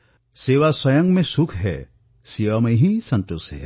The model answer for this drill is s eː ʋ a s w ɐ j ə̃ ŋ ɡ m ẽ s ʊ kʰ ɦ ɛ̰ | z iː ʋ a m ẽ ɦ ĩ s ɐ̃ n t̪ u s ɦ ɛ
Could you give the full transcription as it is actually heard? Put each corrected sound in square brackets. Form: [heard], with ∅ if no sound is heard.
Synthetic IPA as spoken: s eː ʋ a s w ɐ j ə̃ ŋ ɡ m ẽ s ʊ kʰ ɦ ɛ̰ | [s] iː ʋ a m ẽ ɦ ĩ s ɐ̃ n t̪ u s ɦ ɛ